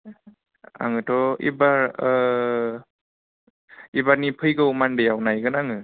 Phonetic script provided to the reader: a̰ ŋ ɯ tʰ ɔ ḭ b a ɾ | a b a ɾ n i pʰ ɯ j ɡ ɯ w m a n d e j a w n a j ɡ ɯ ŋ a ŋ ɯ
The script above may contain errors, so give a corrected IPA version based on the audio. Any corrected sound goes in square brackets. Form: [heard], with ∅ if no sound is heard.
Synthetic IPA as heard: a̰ ŋ ɯ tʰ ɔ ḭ b a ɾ | [i] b a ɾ n i pʰ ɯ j ɡ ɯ w m a n d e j a w n a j ɡ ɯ [n] a ŋ ɯ